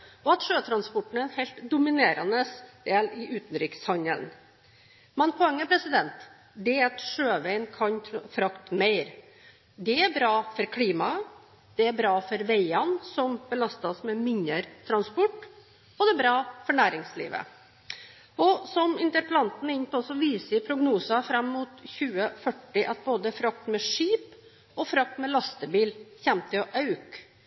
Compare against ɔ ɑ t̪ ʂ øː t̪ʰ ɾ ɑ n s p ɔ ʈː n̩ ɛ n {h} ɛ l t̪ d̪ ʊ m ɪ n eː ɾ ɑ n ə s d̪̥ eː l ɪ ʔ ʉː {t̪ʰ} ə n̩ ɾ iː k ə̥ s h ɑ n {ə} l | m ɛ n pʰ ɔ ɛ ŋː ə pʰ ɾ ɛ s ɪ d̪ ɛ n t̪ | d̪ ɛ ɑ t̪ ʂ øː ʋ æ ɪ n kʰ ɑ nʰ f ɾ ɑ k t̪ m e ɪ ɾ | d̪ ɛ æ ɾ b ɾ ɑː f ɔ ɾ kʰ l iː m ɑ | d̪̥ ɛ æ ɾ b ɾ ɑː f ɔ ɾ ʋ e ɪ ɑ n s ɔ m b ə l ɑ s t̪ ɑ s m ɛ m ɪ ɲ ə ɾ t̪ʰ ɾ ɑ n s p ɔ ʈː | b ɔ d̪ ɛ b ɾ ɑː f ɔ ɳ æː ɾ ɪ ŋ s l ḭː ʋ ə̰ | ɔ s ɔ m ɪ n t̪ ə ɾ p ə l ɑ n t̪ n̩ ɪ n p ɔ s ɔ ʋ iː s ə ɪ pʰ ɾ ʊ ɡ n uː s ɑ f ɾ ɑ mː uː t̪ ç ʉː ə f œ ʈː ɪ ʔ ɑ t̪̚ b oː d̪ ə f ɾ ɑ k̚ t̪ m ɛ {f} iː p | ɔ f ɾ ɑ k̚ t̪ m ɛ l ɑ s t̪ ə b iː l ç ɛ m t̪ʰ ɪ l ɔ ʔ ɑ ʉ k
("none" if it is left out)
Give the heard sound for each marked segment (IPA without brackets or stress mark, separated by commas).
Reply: h, t̪, ə, ʂ